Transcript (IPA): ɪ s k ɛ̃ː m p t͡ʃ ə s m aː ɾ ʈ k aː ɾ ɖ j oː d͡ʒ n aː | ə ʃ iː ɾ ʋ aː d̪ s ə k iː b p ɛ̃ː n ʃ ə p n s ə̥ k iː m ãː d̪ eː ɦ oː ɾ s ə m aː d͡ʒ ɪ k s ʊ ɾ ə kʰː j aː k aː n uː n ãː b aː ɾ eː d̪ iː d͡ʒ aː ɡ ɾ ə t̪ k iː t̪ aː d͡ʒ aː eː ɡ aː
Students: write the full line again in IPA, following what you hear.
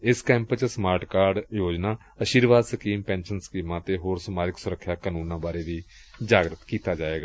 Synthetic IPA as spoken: ɪ s k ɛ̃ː m p t͡ʃ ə s m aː ɾ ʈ k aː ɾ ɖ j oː d͡ʒ n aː | ə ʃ iː ɾ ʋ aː d̪ s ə k iː m p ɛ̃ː n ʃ ə n s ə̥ k iː m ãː t̪ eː ɦ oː ɾ s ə m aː d͡ʒ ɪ k s ʊ ɾ ə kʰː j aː k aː n uː n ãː b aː ɾ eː d̪ iː d͡ʒ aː ɡ ɾ ə t̪ k iː t̪ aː d͡ʒ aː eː ɡ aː